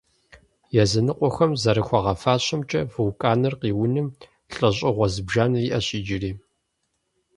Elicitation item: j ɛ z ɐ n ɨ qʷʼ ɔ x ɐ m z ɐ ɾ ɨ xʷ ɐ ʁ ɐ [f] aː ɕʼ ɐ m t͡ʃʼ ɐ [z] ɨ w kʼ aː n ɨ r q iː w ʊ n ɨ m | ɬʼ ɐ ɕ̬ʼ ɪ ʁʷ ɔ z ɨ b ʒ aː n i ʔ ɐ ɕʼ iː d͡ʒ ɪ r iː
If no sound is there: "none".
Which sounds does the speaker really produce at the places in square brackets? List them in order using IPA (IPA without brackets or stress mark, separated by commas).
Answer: f, v